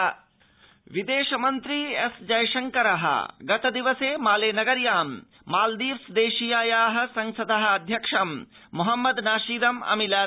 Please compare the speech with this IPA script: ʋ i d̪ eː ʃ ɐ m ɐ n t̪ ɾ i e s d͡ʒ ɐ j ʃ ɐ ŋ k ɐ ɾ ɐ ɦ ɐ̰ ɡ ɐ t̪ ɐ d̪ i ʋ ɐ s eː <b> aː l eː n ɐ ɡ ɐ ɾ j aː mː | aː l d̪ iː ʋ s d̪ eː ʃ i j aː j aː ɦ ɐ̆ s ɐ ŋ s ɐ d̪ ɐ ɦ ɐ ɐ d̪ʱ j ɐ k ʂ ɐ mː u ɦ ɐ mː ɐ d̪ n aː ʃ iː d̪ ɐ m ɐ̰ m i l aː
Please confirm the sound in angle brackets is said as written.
no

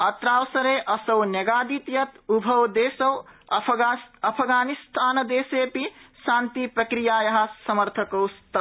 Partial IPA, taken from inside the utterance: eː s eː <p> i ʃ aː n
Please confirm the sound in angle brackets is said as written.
yes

